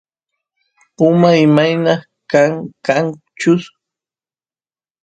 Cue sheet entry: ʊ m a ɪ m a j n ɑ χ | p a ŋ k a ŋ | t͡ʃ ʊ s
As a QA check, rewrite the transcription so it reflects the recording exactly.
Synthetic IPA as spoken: ʊ m a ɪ m a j n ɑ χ | k a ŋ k a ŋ | t͡ʃ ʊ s